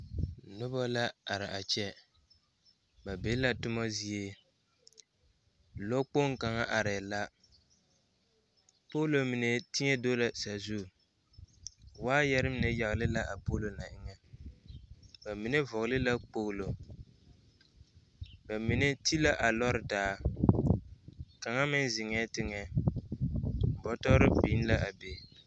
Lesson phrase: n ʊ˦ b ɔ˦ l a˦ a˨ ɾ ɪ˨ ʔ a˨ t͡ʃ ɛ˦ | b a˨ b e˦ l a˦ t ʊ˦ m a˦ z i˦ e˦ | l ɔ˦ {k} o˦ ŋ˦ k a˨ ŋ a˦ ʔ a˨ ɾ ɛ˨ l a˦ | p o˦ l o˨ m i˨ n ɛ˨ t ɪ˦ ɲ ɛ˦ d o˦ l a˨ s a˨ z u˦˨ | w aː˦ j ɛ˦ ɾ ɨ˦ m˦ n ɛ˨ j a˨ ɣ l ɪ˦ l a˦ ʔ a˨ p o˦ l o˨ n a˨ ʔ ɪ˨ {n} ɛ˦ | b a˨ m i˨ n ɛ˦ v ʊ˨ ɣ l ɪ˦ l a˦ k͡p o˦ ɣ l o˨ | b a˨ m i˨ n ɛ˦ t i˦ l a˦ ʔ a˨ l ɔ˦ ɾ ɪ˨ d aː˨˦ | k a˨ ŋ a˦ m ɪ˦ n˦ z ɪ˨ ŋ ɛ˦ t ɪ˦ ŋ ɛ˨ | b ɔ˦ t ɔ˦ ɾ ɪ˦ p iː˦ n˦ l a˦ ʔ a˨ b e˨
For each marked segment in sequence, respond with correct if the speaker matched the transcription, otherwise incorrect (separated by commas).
incorrect, incorrect